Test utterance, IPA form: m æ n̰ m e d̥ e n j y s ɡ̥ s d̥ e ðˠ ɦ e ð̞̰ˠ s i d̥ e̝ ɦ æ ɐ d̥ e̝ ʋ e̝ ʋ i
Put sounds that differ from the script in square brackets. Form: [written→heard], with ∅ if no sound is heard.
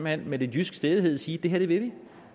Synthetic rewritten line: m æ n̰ m e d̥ e n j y s ɡ̥ s d̥ e ðˠ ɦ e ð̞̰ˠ s [i→iː] d̥ e̝ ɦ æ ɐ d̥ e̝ ʋ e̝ ʋ i